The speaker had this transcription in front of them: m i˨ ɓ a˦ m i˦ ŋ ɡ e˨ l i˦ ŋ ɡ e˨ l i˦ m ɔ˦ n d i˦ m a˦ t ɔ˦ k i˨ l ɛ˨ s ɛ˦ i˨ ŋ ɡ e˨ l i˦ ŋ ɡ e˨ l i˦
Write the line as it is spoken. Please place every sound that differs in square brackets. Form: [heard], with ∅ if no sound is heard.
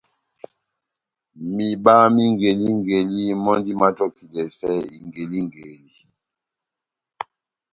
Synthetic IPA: m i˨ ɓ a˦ m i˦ ŋ ɡ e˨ l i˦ ŋ ɡ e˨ l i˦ m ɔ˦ n d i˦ m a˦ t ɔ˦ k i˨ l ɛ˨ s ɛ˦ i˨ ŋ ɡ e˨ l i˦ ŋ ɡ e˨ l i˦